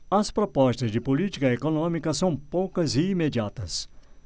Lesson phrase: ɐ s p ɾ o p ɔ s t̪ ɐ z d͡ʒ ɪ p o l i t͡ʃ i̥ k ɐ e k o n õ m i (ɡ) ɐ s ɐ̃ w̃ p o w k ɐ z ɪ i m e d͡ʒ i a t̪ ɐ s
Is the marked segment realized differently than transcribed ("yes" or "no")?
yes